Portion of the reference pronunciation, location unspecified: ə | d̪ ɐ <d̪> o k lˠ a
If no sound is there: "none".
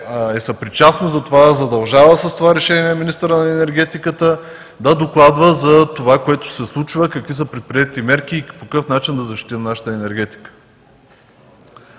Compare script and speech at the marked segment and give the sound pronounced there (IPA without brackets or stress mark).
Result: d̪